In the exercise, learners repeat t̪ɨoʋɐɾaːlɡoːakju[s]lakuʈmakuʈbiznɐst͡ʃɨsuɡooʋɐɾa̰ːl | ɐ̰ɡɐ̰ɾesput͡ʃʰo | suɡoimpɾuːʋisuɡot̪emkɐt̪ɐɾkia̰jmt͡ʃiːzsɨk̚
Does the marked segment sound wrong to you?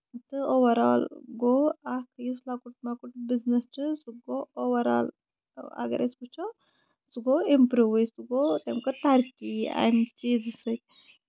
no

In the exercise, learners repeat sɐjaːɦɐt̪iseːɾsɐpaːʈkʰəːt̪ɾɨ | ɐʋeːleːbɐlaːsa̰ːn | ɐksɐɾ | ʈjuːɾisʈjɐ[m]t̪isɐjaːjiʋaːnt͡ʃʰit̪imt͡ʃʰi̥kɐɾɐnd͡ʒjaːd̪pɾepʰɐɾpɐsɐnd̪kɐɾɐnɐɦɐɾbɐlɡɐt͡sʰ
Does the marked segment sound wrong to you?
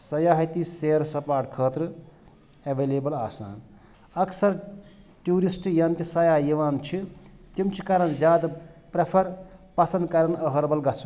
yes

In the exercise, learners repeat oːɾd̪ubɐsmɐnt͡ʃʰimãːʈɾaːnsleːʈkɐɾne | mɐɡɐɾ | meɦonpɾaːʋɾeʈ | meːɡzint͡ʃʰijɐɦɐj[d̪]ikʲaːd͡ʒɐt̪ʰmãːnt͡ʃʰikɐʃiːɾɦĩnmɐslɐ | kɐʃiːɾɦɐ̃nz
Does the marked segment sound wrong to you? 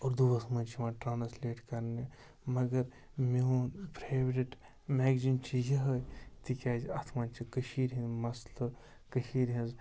yes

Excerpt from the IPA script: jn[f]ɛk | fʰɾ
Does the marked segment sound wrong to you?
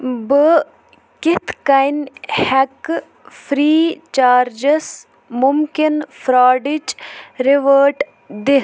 yes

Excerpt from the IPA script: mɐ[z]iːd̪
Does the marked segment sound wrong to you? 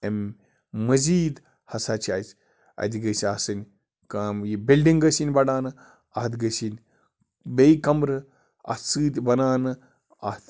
no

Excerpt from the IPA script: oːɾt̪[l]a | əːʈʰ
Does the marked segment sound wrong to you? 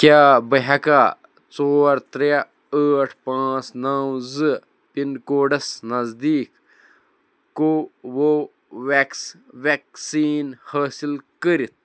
yes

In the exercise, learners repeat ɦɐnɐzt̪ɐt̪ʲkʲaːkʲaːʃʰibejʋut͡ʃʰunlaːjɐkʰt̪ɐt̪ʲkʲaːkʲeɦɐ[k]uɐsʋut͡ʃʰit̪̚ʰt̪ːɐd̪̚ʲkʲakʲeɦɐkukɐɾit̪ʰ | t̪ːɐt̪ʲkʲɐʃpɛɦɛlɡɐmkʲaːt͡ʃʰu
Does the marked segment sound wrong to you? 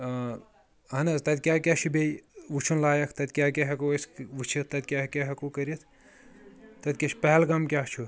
no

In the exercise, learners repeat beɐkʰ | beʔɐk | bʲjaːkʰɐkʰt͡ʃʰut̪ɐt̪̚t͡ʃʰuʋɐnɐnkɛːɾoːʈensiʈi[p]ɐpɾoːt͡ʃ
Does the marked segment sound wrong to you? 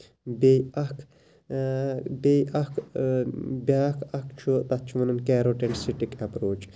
yes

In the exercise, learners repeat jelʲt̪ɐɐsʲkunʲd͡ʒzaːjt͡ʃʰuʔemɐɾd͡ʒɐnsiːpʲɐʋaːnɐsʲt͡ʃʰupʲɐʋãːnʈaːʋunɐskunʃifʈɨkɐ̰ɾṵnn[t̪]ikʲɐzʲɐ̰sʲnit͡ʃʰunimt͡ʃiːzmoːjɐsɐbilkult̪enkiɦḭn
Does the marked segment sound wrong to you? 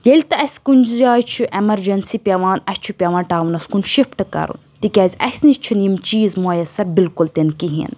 no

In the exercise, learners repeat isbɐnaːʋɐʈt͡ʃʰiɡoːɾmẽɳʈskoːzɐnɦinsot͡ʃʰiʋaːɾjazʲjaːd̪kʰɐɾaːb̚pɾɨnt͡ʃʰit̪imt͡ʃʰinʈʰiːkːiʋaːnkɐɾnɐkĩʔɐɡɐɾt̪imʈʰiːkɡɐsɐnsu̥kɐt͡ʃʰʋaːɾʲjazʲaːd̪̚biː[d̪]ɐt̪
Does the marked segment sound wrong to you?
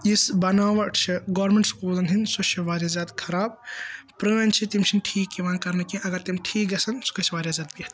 yes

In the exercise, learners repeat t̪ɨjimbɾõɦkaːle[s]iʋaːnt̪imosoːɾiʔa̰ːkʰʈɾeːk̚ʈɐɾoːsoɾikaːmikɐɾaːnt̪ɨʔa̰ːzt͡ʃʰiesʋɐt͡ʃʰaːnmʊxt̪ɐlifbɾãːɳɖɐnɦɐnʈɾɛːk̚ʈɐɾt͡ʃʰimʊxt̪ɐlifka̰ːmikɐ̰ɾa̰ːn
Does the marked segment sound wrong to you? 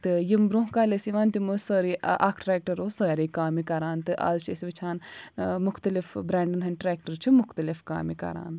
no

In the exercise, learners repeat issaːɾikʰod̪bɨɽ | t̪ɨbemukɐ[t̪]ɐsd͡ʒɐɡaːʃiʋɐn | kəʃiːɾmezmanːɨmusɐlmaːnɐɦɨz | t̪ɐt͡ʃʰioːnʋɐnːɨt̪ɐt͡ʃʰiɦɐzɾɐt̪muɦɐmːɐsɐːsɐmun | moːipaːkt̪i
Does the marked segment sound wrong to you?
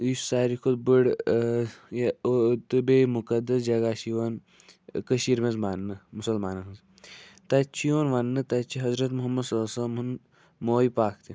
yes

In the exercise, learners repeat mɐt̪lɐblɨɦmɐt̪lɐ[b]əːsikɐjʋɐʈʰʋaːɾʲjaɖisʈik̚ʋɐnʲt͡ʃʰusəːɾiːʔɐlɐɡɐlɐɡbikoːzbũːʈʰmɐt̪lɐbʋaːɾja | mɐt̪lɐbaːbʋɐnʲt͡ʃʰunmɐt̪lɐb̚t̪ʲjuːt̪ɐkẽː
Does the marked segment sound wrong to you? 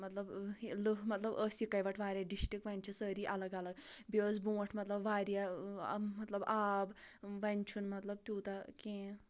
no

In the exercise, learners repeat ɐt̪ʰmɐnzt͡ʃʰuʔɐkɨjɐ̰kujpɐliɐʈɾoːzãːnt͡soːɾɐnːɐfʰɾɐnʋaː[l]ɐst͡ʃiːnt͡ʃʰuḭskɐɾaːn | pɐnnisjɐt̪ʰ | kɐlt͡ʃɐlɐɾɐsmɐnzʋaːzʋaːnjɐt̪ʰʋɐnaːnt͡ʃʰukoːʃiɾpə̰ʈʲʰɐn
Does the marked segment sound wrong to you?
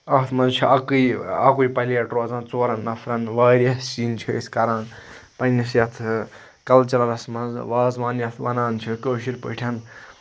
yes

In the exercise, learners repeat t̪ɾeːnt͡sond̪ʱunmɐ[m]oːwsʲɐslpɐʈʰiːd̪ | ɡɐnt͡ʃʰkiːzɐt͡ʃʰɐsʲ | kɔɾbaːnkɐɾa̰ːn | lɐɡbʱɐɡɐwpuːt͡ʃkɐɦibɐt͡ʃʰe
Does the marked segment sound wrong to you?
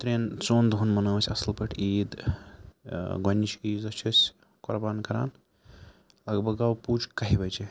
yes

